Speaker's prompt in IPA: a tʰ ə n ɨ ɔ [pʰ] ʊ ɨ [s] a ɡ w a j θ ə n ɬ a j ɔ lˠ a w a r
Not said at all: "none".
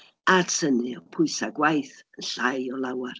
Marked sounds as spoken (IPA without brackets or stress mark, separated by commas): pʰ, s